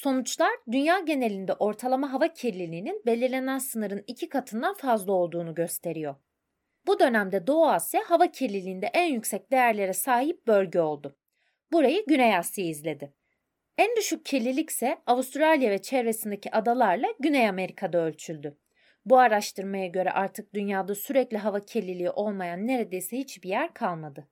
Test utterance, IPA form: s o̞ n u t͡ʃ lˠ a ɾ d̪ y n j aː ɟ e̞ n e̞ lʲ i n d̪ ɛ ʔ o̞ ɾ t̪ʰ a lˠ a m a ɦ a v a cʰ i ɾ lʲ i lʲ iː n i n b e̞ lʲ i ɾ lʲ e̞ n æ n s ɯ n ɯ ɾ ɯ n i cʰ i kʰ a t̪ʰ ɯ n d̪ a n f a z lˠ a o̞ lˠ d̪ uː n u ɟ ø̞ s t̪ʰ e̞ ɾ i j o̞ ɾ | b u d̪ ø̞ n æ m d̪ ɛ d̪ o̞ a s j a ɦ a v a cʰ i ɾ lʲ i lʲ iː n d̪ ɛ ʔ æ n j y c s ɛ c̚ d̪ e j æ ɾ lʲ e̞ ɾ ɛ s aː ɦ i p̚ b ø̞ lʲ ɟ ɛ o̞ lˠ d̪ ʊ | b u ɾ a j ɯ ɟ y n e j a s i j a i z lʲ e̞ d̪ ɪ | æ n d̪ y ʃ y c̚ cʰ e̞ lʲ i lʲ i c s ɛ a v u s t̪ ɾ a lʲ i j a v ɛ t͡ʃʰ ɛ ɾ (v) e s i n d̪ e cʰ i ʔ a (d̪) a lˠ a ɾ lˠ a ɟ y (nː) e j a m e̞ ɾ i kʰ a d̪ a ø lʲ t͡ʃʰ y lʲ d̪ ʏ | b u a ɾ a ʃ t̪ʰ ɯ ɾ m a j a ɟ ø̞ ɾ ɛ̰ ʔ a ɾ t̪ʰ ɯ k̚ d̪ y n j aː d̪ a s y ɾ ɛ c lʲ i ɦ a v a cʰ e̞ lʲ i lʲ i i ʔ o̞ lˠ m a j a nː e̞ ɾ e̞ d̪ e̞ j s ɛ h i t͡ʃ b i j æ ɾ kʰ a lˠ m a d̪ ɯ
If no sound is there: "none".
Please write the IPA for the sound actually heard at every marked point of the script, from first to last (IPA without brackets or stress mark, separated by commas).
v, d̪, n